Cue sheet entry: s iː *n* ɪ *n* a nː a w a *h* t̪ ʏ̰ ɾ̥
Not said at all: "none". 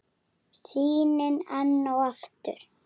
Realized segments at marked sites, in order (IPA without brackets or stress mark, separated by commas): n, n, f